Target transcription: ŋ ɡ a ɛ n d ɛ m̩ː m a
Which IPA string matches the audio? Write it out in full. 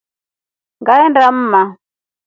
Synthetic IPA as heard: ŋ ɡ a ɛ n d a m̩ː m a